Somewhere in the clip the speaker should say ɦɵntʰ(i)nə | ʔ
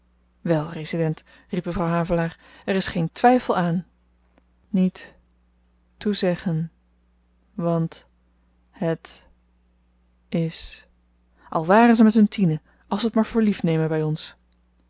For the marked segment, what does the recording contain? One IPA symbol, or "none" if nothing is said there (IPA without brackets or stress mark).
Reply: i